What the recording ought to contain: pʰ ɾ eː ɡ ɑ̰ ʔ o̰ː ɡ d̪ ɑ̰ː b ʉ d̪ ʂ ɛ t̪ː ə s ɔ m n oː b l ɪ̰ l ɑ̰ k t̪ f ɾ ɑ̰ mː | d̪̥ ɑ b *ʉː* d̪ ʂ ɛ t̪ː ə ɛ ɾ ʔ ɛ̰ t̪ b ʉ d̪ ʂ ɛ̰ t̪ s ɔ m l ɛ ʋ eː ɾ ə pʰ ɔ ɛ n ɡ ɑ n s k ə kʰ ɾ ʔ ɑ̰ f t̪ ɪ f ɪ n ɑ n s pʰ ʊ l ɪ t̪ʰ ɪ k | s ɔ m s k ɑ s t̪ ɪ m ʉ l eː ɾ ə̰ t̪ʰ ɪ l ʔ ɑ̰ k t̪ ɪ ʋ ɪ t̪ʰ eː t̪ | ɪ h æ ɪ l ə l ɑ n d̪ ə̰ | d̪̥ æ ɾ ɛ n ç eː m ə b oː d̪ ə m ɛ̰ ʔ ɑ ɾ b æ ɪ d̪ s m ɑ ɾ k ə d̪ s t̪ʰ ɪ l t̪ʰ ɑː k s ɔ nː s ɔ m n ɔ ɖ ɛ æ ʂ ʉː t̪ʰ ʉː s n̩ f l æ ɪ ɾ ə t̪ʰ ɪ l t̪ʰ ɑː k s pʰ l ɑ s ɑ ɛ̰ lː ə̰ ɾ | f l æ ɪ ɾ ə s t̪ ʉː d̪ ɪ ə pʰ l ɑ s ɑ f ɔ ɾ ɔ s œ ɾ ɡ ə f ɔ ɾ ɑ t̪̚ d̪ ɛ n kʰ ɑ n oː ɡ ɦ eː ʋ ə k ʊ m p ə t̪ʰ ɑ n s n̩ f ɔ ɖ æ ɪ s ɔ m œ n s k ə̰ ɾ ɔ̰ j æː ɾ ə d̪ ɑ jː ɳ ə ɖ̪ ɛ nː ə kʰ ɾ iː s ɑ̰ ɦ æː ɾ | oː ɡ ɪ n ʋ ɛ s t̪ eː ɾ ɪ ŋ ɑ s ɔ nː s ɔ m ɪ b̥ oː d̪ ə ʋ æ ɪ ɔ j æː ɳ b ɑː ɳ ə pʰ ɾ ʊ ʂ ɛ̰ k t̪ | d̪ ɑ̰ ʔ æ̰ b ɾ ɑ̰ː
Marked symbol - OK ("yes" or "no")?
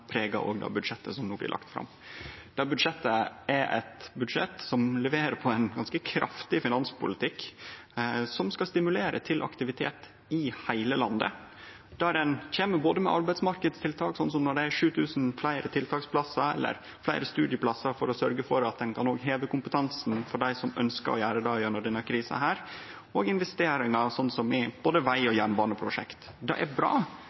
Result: no